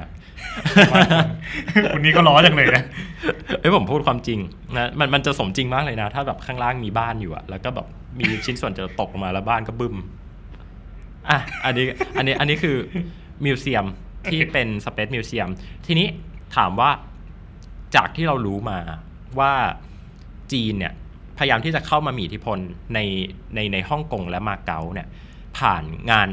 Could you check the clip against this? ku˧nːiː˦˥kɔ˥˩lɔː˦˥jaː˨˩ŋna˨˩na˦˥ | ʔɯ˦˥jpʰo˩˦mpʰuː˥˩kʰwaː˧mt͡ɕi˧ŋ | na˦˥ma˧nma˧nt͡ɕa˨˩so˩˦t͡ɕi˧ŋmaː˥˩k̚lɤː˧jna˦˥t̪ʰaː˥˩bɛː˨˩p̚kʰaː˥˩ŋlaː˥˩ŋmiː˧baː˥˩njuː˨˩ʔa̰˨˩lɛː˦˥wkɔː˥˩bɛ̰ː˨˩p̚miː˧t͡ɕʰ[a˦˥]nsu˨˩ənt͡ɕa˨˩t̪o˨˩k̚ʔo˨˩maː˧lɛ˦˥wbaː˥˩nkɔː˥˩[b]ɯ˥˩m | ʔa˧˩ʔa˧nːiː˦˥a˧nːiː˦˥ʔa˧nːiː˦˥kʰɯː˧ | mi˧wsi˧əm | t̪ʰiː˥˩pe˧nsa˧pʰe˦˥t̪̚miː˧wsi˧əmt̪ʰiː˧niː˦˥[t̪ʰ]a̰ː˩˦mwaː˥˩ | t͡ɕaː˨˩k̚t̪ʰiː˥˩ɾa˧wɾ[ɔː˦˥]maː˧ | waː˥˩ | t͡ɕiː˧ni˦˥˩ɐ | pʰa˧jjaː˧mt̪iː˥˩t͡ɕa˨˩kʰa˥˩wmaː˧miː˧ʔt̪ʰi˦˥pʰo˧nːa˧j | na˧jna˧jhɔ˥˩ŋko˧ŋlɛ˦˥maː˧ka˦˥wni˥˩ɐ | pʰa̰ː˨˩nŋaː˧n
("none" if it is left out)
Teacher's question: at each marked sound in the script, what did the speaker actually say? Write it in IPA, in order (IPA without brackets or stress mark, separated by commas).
i˦˥, b, t̪ʰ, uː˦˥